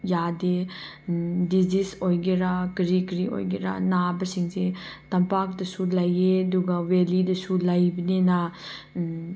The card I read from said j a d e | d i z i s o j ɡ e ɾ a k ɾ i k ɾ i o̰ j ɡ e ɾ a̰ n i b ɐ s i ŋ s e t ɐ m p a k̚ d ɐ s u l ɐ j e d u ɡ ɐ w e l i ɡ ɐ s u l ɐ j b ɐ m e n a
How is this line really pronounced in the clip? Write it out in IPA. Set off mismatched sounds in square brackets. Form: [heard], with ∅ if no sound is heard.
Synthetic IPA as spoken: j a d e | d i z i s o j ɡ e ɾ a k ɾ i k ɾ i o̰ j ɡ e ɾ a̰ n [a] b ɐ s i ŋ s e t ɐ m p a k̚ d ɐ s u l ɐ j e d u ɡ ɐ w e l i [d] ɐ s u l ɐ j b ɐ [n] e n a

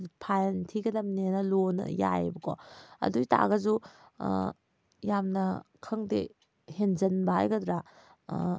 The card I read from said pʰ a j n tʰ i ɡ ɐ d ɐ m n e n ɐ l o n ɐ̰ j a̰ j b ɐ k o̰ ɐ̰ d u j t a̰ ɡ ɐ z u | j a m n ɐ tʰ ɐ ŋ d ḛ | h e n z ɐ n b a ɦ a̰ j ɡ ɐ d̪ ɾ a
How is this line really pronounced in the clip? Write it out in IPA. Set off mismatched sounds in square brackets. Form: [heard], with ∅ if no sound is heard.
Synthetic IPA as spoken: pʰ a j n tʰ i ɡ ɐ d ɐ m n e n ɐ l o n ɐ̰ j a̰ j b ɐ k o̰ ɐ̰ d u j t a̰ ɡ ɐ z u | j a m n ɐ [kʰ] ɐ ŋ d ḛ | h e n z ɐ n b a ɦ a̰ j ɡ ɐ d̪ ɾ a

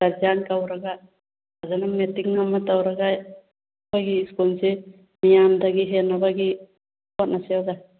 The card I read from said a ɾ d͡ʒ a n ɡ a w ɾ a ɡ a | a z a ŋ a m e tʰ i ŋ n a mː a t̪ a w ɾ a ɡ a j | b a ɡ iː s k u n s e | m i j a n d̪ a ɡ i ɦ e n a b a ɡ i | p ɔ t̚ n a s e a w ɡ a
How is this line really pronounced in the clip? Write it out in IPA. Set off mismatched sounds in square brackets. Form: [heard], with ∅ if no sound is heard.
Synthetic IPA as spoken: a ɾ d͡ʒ a n [k] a w ɾ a ɡ a | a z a [n] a m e [t] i ŋ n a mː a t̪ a w ɾ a ɡ a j | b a ɡ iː s k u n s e | m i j a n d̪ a ɡ i ɦ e n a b a ɡ i | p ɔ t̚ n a s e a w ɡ a

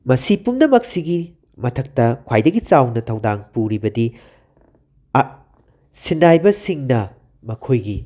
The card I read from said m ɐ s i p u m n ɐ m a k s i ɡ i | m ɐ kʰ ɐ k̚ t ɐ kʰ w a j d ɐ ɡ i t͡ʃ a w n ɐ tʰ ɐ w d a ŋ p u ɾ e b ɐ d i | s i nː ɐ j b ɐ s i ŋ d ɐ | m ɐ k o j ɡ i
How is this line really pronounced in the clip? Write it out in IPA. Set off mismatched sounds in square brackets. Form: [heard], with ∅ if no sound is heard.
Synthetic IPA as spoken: m ɐ s i p u m n ɐ m [ɐ] k s i ɡ i | m ɐ [tʰ] ɐ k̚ t ɐ kʰ w a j d ɐ ɡ i t͡ʃ a w n ɐ tʰ ɐ w d a ŋ p u ɾ [i] b ɐ d i | s i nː [a] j b ɐ s i ŋ [n] ɐ | m ɐ [kʰ] o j ɡ i

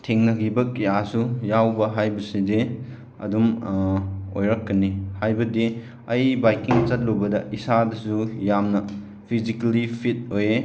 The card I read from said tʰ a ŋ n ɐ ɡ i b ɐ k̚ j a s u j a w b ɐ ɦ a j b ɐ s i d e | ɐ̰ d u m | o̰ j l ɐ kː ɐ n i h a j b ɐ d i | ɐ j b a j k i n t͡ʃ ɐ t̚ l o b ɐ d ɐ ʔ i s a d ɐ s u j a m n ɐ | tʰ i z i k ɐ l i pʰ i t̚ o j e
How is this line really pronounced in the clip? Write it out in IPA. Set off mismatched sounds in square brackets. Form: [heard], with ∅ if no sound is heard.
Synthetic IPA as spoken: tʰ [e] ŋ n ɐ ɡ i b ɐ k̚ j a s u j a w b ɐ ɦ a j b ɐ s i d e | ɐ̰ d u m | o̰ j [ɾ] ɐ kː ɐ n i h a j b ɐ d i | ɐ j b a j k i [ŋ] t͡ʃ ɐ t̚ l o b ɐ d ɐ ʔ i s a d ɐ s u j a m n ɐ | [pʰ] i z i k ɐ l i pʰ i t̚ o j e

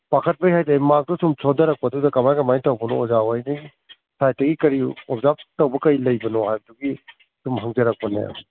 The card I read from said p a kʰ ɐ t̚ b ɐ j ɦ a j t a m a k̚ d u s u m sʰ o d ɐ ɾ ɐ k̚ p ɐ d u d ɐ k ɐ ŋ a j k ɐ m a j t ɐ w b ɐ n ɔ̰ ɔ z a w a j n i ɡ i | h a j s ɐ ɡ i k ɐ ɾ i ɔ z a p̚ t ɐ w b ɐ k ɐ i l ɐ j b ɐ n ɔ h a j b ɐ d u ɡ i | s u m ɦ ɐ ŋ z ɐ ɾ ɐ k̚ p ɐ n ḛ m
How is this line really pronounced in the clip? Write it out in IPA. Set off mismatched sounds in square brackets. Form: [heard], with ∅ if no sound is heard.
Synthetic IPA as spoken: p a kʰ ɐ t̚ b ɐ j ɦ a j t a m a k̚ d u s u m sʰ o d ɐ ɾ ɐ k̚ p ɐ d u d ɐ k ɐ [m] a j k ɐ m a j t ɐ w b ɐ n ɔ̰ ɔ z a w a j n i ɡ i | [s] a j [t] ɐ ɡ i k ɐ ɾ i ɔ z a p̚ t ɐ w b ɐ k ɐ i l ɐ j b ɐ n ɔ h a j b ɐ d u ɡ i | s u m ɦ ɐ ŋ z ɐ ɾ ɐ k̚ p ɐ n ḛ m

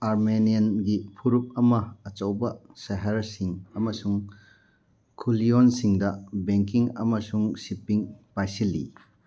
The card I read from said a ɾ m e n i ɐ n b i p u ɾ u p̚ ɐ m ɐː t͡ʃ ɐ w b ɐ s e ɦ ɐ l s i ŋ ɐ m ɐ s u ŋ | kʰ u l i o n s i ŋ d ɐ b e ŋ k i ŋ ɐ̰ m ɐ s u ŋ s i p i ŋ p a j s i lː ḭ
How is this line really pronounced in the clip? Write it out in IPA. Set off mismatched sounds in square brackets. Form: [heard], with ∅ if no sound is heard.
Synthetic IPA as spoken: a ɾ m e n i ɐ n [ɡ] i [pʰ] u ɾ u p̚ ɐ m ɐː t͡ʃ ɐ w b ɐ s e ɦ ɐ [ɾ] s i ŋ ɐ m ɐ s u ŋ | kʰ u l i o n s i ŋ d ɐ b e ŋ k i ŋ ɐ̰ m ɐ s u ŋ s i p i ŋ p a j s i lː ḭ

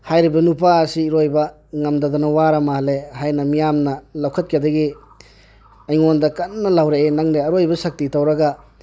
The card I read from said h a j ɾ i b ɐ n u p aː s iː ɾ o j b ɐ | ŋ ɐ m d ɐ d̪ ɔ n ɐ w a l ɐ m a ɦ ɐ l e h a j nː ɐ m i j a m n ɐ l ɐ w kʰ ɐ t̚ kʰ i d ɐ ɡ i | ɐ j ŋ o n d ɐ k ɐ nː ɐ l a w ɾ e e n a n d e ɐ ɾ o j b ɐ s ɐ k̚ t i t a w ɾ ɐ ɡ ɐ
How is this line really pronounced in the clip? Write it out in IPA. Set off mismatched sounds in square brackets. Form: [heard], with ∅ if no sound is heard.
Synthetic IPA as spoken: h a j ɾ i b ɐ n u p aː s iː ɾ o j b ɐ | ŋ ɐ m d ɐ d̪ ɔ n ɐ w a [ɾ] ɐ m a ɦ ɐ l e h a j [n] ɐ m i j a m n ɐ l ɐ w kʰ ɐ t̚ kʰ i d ɐ ɡ i | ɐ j ŋ o n d ɐ k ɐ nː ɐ l a w ɾ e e n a [ŋ] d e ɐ ɾ o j b ɐ s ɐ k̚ t i t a w ɾ ɐ ɡ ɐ

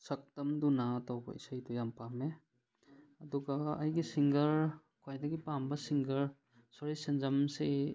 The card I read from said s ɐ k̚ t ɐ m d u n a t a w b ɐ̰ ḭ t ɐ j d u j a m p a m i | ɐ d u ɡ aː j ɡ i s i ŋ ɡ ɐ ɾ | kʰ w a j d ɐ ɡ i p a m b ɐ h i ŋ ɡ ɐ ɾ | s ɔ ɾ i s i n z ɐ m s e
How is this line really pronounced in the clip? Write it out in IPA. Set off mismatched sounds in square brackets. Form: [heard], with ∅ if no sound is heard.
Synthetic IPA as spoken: s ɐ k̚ t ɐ m d u n a t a w b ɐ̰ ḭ [s] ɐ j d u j a m p a m [e] | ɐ d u ɡ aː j ɡ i s i ŋ ɡ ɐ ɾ | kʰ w a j d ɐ ɡ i p a m b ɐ [s] i ŋ ɡ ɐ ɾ | s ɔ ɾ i s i n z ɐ m s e

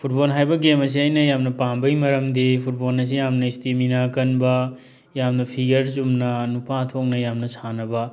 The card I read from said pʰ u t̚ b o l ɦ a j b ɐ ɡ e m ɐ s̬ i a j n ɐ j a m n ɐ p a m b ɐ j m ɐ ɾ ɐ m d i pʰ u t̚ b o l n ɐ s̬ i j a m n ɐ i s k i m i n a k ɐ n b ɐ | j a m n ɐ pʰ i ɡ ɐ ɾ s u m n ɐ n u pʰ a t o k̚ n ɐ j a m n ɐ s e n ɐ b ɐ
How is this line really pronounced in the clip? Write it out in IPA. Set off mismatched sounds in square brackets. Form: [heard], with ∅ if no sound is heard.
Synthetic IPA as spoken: pʰ u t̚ b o l ɦ a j b ɐ ɡ e m ɐ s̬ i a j n ɐ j a m n ɐ p a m b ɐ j m ɐ ɾ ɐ m d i pʰ u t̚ b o l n ɐ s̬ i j a m n ɐ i s [t] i m i n a k ɐ n b ɐ | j a m n ɐ pʰ i ɡ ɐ ɾ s u m n ɐ n u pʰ a [tʰ] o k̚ n ɐ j a m n ɐ s [a] n ɐ b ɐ

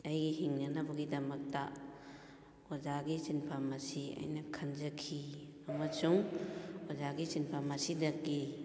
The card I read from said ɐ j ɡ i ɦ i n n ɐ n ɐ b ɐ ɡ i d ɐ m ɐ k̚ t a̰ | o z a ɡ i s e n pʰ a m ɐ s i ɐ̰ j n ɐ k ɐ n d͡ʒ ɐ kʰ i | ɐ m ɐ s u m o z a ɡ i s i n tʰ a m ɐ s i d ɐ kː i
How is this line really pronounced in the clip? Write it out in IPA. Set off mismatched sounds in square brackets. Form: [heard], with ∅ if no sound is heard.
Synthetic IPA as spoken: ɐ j ɡ i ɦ i [ŋ] n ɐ n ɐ b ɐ ɡ i d ɐ m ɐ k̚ t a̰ | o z a ɡ i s [i] n pʰ a m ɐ s i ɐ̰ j n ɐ [kʰ] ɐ n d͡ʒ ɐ kʰ i | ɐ m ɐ s u [ŋ] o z a ɡ i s i n [pʰ] a m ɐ s i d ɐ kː i

